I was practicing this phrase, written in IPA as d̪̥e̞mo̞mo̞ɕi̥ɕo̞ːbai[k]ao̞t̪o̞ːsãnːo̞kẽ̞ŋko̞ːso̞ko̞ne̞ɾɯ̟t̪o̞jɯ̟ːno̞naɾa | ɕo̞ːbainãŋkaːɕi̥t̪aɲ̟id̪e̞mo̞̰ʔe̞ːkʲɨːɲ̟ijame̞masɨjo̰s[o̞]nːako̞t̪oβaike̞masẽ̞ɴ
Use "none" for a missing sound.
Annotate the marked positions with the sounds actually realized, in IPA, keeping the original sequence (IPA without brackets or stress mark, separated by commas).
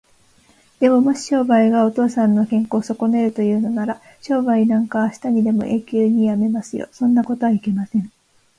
ɡ, õ̞